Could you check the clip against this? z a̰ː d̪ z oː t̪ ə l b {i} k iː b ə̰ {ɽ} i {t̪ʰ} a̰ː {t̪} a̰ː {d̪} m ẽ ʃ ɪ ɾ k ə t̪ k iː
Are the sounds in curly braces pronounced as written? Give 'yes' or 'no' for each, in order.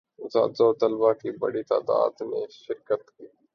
no, yes, no, no, yes

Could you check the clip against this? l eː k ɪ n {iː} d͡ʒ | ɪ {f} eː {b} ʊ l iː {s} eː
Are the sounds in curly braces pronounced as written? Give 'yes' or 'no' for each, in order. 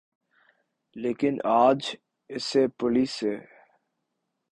no, no, no, yes

